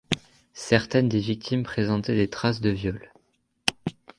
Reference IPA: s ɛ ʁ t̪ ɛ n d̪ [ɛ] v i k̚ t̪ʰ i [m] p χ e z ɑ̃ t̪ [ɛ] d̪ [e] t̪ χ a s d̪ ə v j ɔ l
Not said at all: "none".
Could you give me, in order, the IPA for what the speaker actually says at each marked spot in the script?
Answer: e, m, ɛ, e

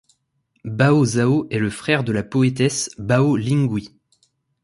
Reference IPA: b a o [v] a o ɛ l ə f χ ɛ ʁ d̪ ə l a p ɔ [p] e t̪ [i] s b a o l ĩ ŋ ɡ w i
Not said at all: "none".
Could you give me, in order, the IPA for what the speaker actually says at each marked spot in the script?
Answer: z, none, ɛ

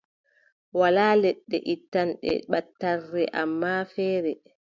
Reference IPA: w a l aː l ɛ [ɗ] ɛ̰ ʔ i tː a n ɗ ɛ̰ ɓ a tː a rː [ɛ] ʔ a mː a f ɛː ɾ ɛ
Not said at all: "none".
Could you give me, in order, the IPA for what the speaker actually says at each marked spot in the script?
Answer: ɗː, ɛ

